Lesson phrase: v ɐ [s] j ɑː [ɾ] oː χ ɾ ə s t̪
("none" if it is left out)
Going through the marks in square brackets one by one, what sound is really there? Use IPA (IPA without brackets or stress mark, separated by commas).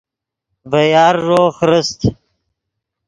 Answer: none, ɾː